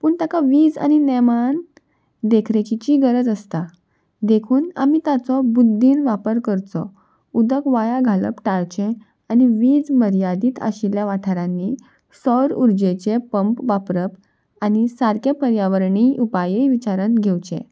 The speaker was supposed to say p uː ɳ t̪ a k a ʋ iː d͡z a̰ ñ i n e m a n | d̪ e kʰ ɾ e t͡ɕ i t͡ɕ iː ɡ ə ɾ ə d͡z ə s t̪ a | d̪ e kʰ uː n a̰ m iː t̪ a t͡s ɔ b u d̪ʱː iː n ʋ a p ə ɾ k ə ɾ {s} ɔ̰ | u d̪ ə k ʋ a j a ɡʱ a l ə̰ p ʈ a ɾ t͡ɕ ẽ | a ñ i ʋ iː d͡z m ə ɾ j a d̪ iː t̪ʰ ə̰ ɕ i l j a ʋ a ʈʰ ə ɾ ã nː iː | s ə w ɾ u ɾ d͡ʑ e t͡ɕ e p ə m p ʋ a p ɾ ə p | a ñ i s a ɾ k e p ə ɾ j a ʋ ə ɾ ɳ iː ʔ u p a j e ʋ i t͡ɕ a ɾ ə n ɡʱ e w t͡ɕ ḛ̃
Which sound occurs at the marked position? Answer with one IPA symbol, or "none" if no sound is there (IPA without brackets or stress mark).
t͡s